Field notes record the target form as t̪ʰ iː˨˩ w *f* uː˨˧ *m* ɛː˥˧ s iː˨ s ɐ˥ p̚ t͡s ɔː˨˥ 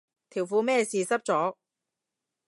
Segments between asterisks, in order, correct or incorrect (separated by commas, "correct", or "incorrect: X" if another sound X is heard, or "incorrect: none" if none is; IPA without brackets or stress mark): correct, correct